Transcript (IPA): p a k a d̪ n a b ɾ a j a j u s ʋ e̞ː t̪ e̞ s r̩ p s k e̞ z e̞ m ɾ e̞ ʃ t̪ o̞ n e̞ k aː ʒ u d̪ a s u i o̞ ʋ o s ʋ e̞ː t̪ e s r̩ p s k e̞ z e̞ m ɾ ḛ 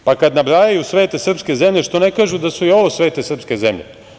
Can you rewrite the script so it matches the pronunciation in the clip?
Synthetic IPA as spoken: p a k a d̪ n a b ɾ a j a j u s ʋ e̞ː t̪ e̞ s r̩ p s k e̞ z e̞ m ʎ e̞ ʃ t̪ o̞ n e̞ k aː ʒ u d̪ a s u i o̞ ʋ o s ʋ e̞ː t̪ e s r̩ p s k e̞ z e̞ m ʎ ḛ